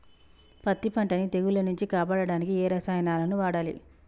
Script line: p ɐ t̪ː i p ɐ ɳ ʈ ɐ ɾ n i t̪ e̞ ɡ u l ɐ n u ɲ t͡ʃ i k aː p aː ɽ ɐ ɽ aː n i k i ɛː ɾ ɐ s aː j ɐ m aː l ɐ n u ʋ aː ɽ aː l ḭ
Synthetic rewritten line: p ɐ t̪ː i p ɐ ɳ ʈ ɐ n i t̪ e̞ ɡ u l ɐ n u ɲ t͡ʃ i k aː p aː ɽ ɐ ɽ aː n i k i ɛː ɾ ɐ s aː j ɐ n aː l ɐ n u ʋ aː ɽ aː l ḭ